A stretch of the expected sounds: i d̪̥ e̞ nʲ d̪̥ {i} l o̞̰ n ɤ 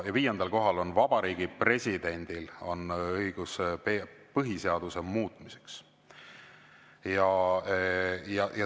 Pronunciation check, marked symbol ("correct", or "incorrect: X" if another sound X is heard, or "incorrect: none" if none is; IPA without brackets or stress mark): correct